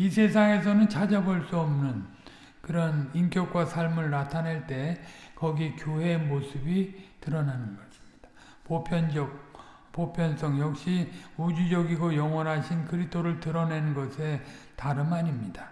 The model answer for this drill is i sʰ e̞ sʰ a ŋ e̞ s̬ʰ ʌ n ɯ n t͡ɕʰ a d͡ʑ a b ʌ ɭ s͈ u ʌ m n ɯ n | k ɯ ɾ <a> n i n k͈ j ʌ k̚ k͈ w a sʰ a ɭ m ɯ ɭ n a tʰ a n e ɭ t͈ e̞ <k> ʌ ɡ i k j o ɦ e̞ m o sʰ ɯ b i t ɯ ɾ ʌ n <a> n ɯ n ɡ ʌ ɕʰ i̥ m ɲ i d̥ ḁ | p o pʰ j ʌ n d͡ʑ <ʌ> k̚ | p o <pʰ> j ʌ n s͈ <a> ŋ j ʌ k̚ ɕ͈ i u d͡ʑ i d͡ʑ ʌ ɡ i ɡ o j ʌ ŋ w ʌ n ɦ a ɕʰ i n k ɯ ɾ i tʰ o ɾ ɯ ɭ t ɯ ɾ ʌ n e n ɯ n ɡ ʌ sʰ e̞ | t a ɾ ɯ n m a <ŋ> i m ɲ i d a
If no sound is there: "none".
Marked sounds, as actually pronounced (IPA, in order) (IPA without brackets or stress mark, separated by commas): ʌ, k, a, ʌ, pʰ, ʌ, ɲ